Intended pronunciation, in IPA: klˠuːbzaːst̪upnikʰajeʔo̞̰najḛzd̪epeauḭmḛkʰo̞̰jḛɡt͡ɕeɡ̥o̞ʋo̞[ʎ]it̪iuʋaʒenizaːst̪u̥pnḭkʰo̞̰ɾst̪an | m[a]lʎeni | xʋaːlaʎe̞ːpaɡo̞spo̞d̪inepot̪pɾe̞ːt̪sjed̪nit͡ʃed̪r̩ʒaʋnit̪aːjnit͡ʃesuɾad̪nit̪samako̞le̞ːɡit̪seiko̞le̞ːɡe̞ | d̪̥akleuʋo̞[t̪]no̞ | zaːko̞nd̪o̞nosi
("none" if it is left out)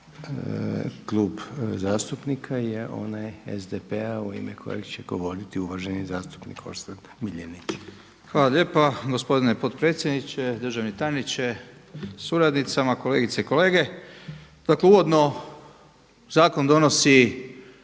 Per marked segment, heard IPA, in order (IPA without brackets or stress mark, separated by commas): ɾ, i, d̪